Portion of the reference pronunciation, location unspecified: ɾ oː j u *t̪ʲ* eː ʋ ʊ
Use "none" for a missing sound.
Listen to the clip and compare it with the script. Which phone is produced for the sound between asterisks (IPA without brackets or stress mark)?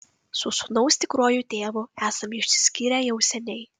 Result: t̪ʲ